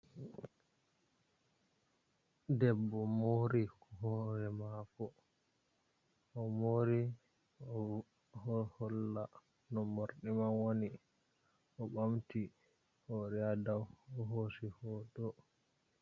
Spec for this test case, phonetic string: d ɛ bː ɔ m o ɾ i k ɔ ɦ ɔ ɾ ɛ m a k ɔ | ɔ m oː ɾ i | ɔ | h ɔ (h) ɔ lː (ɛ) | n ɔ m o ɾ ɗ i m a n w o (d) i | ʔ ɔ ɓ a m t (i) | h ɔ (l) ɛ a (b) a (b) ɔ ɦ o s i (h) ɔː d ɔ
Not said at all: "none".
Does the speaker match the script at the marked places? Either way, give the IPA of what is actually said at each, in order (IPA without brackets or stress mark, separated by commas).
h, a, n, i, ɾ, d, w, h